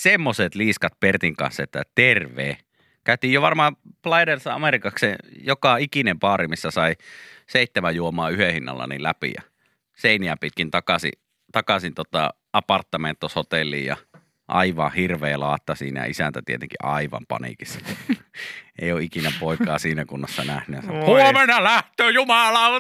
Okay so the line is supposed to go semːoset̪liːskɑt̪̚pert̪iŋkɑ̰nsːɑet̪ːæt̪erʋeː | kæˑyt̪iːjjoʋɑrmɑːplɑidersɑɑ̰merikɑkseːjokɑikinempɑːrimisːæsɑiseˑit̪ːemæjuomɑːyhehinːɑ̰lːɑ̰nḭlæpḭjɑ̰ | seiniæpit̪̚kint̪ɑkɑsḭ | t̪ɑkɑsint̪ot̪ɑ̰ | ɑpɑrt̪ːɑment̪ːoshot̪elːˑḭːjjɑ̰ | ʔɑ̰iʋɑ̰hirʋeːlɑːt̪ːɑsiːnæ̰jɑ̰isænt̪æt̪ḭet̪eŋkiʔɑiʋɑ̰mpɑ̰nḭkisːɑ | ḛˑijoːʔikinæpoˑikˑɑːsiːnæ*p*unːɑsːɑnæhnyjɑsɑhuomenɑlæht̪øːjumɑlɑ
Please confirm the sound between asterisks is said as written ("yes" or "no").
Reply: no